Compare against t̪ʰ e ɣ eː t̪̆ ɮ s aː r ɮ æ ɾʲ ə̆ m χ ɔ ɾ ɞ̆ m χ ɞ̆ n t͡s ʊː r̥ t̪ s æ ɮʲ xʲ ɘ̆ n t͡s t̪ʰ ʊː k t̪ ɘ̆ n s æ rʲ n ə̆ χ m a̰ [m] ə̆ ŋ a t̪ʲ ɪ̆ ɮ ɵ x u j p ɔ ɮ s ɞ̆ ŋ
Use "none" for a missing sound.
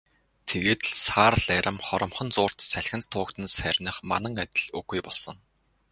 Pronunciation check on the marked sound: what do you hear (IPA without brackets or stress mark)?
n